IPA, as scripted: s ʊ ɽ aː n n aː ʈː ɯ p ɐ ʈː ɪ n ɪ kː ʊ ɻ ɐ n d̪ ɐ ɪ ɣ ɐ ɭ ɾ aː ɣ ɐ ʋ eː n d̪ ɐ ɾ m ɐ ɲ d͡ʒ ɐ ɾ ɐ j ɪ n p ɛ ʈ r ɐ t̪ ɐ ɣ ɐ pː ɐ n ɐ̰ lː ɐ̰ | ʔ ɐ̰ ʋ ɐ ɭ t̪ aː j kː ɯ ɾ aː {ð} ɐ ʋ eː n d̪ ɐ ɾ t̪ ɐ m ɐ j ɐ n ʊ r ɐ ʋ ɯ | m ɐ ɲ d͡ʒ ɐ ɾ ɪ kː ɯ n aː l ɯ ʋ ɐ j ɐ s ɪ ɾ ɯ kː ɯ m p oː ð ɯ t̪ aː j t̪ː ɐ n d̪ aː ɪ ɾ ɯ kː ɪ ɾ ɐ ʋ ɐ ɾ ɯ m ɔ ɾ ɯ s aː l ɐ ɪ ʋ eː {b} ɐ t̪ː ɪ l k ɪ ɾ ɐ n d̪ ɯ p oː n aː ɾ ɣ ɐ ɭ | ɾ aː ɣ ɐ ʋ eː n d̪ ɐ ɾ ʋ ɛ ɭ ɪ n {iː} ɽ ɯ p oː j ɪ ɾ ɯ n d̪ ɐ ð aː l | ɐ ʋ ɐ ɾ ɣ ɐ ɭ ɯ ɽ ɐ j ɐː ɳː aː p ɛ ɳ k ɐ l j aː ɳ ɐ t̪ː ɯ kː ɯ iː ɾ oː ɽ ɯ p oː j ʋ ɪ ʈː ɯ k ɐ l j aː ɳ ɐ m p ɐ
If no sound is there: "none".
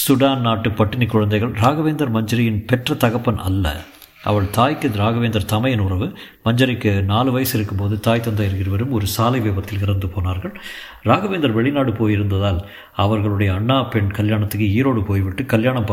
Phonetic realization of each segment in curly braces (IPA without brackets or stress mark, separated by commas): ɣ, b, aː